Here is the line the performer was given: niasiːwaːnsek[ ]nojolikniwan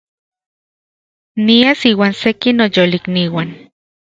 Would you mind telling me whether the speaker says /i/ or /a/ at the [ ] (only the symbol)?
i